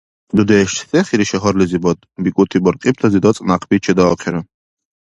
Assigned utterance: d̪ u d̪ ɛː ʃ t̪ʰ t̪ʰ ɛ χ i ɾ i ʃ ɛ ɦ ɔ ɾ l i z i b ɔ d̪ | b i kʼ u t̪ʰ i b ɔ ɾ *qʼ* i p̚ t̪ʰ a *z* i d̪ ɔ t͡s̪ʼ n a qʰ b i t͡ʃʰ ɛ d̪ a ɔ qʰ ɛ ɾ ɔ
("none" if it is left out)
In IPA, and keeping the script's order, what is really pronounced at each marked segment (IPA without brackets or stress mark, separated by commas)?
qʼ, z